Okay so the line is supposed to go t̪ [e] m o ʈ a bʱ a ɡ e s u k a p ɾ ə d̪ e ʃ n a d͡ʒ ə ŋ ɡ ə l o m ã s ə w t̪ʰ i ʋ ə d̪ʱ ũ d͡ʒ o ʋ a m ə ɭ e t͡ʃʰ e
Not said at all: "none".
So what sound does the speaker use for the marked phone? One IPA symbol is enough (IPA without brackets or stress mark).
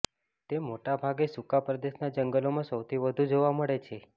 e